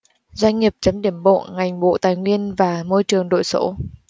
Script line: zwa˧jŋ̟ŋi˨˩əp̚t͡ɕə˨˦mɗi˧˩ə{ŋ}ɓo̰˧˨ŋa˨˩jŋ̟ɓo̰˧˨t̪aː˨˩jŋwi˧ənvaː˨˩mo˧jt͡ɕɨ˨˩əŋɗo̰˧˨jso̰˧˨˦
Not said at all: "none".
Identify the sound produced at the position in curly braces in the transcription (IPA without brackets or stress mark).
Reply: m